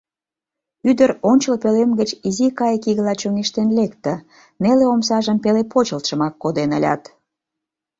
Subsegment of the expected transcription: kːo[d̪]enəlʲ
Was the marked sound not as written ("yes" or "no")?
no